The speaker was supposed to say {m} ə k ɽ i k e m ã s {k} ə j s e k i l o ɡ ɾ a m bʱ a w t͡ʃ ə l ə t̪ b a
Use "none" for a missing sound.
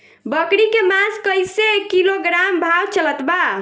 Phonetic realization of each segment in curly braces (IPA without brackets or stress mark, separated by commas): b, k